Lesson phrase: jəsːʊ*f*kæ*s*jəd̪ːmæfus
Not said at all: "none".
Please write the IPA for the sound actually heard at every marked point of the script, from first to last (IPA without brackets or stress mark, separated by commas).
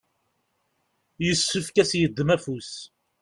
f, s